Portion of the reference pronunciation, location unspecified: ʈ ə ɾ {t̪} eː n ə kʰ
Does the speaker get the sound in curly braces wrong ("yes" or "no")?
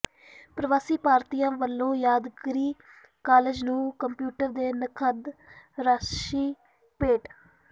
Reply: yes